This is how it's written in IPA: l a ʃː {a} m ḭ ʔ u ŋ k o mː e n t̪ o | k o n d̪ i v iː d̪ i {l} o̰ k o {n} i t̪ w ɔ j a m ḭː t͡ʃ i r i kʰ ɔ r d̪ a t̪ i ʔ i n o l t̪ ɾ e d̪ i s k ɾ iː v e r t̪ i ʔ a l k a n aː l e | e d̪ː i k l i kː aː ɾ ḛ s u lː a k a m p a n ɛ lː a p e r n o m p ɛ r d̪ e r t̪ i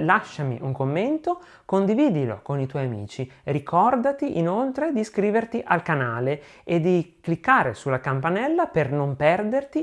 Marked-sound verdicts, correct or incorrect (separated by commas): correct, correct, correct